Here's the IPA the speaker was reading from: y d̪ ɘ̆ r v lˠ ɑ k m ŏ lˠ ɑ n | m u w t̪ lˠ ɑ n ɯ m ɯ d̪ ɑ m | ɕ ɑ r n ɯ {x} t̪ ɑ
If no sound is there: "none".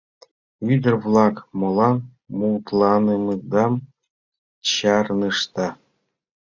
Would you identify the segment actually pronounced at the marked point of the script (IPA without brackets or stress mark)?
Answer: ʂ